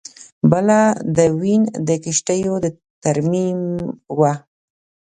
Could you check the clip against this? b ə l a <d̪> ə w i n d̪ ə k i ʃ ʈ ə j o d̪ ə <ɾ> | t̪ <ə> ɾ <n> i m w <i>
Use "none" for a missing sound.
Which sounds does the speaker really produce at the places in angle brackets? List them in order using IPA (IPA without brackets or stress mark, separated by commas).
d̪, none, a, m, a